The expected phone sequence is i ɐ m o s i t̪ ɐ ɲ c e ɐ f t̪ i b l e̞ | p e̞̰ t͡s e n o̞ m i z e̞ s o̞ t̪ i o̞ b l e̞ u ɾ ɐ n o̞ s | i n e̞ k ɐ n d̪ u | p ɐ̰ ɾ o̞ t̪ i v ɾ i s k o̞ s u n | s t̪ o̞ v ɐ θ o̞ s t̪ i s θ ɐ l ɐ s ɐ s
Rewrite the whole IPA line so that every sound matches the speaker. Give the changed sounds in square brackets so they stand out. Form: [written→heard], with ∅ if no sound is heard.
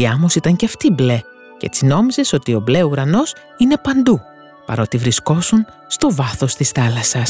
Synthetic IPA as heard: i ɐ m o s i t̪ ɐ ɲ c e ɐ f t̪ i b l e̞ | [p→c] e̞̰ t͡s [e→i] n o̞ m i z e̞ s o̞ t̪ i o̞ b l e̞ u ɾ ɐ n o̞ s | i n e̞ [k→p] ɐ n d̪ u | p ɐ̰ ɾ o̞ t̪ i v ɾ i s k o̞ s u n | s t̪ o̞ v ɐ θ o̞ s t̪ i s θ ɐ l ɐ s ɐ s